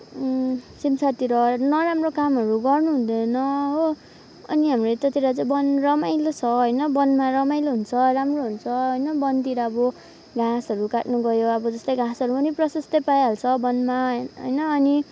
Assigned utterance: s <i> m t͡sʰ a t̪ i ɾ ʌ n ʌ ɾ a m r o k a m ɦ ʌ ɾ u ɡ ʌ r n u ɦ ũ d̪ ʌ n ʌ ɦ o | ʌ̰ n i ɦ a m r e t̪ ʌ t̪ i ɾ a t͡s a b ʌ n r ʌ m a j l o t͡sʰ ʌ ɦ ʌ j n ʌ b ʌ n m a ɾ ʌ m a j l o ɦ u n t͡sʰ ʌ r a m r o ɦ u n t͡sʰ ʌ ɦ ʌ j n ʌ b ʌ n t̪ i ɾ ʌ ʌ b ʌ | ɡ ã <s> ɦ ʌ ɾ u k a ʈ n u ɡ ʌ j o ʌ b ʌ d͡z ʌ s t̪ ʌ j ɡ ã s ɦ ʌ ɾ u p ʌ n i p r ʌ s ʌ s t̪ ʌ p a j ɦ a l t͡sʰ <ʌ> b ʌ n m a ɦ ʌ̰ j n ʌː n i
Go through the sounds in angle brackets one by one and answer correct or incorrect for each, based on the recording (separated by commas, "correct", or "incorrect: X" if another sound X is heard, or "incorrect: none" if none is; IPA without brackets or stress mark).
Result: correct, correct, correct